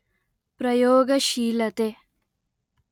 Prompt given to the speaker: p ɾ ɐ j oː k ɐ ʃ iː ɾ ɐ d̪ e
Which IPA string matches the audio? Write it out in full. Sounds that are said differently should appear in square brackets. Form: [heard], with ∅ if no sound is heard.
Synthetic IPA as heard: p ɾ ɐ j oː [ɡ] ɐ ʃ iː [l] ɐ [t̪] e